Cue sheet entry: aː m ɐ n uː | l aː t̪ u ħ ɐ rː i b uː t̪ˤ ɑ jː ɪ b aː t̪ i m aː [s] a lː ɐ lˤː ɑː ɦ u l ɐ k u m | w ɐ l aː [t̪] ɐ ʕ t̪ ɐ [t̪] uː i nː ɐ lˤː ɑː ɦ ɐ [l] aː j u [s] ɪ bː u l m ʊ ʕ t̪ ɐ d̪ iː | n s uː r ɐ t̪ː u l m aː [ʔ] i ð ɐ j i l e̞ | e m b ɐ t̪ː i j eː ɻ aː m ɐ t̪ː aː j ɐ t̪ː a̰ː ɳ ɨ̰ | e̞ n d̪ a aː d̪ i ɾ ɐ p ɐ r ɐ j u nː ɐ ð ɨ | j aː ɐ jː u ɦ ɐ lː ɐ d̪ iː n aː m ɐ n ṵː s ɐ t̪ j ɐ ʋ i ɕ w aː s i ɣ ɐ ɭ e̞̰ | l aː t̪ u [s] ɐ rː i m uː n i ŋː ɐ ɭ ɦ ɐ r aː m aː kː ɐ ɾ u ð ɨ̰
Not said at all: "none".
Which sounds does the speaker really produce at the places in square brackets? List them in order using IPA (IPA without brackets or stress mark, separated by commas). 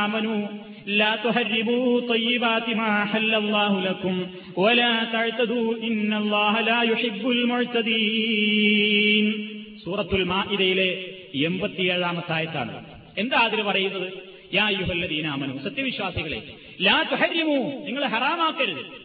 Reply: ħ, t̪, d̪, l, ħ, ʔ, ħ